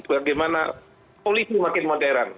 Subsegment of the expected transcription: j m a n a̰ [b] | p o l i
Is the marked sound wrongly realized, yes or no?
yes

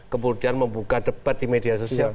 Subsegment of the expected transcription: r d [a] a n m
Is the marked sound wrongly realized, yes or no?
yes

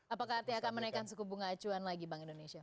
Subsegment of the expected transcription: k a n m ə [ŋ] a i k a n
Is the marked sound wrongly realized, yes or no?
yes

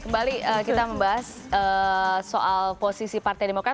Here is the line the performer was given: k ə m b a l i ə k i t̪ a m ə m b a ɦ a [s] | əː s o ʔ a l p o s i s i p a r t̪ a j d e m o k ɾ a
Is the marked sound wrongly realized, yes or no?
no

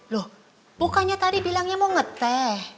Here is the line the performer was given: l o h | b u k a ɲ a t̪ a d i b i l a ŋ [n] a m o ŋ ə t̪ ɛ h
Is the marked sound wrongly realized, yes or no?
yes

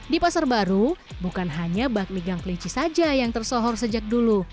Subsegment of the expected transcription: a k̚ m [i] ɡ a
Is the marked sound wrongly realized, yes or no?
no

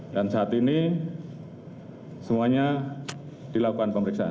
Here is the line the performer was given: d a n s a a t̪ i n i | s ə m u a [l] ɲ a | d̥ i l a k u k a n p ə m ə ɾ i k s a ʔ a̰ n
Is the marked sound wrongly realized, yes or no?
yes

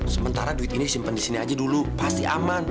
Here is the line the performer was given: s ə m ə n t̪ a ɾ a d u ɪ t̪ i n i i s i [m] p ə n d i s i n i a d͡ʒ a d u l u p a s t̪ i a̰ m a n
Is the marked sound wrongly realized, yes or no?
no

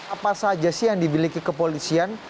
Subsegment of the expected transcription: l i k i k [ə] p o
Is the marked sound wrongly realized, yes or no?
no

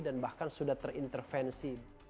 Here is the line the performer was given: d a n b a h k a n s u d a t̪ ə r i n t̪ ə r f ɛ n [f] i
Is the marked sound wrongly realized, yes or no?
yes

